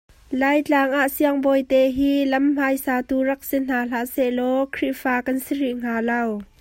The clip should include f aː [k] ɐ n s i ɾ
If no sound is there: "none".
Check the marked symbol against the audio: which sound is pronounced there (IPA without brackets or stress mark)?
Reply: k